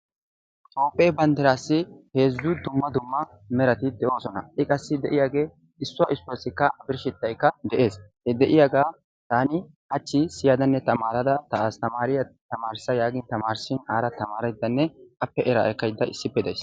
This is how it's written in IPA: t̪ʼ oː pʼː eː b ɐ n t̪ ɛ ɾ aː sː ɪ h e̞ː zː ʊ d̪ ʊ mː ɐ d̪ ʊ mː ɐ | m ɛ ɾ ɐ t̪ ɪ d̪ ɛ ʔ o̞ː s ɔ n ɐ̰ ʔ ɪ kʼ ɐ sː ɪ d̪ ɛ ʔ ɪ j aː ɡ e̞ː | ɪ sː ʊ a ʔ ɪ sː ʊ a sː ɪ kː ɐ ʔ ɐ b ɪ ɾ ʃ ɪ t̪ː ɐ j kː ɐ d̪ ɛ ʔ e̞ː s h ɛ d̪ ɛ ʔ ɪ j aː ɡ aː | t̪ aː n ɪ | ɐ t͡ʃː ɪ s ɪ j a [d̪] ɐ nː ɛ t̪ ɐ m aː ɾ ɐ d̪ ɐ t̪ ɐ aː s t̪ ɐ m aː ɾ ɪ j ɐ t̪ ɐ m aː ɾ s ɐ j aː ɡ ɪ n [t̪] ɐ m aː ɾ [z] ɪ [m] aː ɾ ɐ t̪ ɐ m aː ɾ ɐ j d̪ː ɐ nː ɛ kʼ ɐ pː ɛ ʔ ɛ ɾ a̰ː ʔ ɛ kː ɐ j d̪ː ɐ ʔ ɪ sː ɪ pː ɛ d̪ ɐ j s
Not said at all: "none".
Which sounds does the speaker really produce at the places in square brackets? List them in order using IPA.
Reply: d̪, t̪, s, n

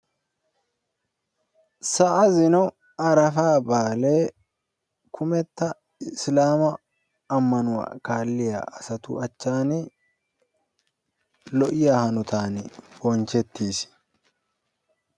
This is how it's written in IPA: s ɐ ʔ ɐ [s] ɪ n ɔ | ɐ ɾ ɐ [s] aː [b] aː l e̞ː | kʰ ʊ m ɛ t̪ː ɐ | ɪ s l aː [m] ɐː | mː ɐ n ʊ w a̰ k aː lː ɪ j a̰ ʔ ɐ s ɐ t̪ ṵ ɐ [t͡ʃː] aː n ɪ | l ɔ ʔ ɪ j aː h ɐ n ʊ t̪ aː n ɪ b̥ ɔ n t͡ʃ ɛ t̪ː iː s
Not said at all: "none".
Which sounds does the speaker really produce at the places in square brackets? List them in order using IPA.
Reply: z, f, b, m, t͡ʃː

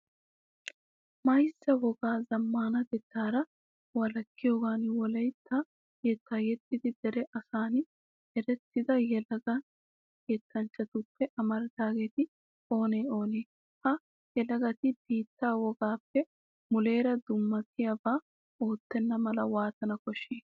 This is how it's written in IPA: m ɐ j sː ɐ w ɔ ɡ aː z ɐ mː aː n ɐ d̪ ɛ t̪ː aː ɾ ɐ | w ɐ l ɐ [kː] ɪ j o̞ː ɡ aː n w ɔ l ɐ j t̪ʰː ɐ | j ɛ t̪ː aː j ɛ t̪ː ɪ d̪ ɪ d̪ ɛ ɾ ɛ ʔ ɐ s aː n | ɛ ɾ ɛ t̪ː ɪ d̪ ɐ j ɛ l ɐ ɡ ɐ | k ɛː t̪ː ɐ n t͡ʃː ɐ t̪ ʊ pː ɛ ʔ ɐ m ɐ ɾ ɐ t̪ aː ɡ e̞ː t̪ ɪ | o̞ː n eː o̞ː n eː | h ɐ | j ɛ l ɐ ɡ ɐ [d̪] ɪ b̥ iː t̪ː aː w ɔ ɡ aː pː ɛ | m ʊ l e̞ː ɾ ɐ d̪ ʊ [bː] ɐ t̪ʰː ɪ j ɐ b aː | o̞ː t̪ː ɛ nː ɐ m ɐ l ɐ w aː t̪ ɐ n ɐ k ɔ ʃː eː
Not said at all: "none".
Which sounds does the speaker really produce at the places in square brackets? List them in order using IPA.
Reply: kː, t̪, mː

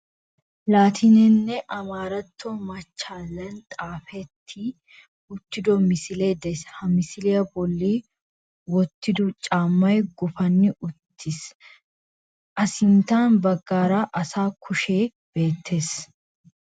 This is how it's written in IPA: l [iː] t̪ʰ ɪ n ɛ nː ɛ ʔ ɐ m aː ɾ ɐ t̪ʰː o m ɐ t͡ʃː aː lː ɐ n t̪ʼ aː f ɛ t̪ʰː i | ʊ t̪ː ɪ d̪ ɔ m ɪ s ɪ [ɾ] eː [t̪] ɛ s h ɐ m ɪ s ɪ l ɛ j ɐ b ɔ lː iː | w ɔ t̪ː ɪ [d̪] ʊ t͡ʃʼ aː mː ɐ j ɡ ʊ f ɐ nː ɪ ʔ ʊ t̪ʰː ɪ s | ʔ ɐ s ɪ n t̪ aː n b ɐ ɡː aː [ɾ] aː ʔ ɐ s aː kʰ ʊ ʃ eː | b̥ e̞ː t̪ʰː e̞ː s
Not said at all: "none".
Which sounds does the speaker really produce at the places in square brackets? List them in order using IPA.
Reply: aː, l, d̪, d̪, ɾ

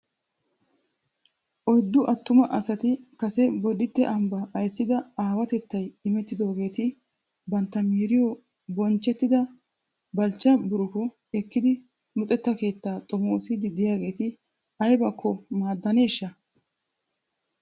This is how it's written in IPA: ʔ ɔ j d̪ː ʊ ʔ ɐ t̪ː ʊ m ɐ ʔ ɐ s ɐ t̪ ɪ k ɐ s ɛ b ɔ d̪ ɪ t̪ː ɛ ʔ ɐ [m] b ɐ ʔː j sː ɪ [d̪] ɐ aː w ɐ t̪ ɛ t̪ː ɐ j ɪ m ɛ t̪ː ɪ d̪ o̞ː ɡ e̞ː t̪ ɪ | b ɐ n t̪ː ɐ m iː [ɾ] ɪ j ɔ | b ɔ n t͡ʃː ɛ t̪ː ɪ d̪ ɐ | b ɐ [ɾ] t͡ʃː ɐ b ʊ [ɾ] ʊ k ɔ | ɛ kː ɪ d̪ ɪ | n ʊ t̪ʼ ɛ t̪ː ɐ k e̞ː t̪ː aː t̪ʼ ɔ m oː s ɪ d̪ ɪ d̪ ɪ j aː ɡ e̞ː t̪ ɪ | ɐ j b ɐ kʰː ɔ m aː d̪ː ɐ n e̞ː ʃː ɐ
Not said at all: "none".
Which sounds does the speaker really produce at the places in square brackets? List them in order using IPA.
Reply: m, d̪, ɾ, l, ɾ

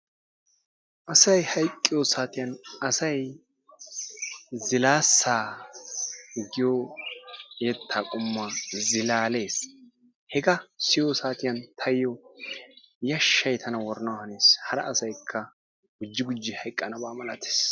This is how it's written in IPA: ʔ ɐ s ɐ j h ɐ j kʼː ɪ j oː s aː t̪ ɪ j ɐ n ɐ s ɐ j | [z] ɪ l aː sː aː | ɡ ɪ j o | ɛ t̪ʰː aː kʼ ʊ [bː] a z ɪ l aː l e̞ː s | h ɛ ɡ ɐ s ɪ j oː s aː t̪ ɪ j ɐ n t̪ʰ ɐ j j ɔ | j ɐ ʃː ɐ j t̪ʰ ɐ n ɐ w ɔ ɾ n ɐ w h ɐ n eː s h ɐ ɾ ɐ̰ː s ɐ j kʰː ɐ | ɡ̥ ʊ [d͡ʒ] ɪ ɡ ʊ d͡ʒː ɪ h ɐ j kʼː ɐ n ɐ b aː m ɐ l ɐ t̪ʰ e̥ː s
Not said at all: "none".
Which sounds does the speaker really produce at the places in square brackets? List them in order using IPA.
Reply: z, mː, d͡ʒː

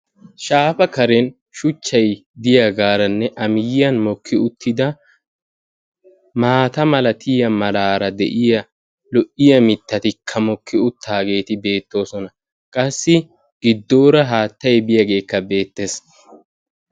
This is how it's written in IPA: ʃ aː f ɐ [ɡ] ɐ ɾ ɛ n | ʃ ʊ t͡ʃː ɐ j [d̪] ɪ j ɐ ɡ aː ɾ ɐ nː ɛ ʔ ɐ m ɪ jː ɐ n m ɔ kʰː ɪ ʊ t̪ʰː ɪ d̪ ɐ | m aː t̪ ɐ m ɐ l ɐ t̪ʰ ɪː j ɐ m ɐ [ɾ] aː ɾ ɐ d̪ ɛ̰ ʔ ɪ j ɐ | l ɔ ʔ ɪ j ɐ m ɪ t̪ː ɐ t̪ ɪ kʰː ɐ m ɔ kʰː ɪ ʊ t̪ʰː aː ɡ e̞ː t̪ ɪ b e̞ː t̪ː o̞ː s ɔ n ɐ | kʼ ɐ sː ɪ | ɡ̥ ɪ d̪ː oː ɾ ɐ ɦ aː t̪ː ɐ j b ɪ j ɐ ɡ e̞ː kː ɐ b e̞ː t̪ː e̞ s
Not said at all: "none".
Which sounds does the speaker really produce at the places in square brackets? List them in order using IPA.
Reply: k, d̪, l

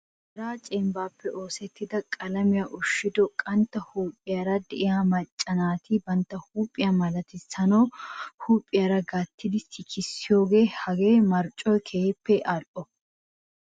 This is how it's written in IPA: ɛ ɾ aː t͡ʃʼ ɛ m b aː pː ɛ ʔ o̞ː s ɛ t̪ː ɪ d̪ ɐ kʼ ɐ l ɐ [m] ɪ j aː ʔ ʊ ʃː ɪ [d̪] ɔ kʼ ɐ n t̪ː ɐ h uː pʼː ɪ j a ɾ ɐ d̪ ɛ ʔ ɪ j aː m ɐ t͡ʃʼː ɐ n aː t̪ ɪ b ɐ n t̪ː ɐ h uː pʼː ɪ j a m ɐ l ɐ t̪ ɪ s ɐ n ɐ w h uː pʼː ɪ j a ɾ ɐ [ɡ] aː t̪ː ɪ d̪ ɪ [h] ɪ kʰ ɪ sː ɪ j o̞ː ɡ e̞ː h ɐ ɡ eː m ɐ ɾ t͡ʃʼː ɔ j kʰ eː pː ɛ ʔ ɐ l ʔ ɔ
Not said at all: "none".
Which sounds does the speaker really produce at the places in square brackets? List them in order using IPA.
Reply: m, d̪, ɡ, s

